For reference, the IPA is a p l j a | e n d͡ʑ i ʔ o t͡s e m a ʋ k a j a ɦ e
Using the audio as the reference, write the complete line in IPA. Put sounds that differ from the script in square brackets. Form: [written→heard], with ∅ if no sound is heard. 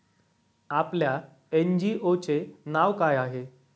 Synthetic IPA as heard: a p l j a | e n d͡ʑ i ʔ o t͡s e [m→n] a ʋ k a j a ɦ e